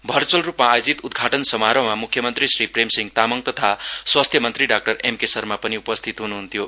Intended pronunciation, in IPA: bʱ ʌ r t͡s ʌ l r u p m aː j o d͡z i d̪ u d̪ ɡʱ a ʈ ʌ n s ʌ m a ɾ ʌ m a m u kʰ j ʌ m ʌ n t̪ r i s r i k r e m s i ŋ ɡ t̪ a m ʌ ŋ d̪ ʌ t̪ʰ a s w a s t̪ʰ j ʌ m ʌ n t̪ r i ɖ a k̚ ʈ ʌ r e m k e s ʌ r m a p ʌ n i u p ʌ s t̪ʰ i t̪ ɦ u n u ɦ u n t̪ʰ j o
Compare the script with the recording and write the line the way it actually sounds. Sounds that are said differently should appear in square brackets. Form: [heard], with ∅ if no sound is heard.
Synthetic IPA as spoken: bʱ ʌ r t͡s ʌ l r u p m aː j o d͡z i [t̪] u d̪ ɡʱ a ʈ ʌ n s ʌ m a ɾ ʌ m a m u kʰ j ʌ m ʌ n t̪ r i s r i [p] r e m s i ŋ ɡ t̪ a m ʌ ŋ [t̪] ʌ t̪ʰ a s w a s t̪ʰ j ʌ m ʌ n t̪ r i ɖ a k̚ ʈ ʌ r e m k e s ʌ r m a p ʌ n i u p ʌ s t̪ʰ i t̪ ɦ u n u ɦ u n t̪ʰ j o